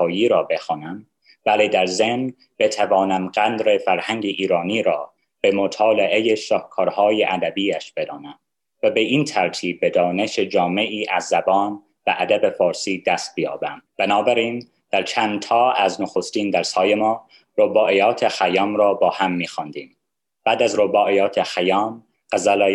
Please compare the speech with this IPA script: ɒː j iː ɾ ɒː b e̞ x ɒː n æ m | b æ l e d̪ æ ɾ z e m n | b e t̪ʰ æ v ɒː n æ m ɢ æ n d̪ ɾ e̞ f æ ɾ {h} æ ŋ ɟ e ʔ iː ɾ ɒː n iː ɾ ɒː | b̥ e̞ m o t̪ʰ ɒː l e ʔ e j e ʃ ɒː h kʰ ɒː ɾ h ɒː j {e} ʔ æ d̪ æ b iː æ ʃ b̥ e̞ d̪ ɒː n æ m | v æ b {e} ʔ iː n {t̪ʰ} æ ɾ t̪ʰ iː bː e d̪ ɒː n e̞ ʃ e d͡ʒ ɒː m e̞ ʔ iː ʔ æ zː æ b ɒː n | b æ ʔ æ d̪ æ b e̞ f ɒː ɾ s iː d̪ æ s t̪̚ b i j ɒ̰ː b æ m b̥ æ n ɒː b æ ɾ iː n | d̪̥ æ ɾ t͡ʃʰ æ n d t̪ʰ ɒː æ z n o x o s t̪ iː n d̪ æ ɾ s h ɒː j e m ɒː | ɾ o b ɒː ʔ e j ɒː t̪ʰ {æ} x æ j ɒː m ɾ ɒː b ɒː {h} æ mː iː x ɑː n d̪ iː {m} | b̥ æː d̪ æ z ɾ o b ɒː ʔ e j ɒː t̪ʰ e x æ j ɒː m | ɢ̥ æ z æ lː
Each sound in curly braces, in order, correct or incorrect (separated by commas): correct, correct, correct, correct, incorrect, correct, correct